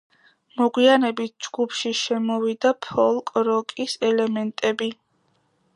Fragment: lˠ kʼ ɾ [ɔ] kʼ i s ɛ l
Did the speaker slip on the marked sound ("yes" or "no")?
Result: no